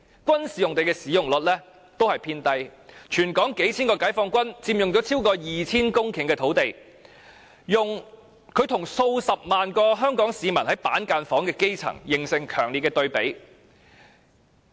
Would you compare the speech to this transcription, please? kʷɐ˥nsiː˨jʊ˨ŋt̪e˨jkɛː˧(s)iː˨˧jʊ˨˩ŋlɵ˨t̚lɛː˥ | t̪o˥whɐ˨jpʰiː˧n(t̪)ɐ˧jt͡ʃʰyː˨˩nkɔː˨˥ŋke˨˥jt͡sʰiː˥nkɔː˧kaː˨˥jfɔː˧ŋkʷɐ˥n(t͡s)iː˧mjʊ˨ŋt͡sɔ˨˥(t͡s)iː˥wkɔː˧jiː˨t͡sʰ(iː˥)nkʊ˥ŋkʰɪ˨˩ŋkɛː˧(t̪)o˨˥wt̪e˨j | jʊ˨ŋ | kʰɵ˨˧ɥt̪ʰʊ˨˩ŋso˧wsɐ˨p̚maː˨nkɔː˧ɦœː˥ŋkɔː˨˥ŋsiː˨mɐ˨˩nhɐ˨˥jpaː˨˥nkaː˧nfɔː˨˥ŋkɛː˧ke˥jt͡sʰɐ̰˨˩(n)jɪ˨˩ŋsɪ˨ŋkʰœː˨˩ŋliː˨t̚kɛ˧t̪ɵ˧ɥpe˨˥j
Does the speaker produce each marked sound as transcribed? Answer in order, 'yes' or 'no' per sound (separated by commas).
yes, yes, yes, no, yes, no, no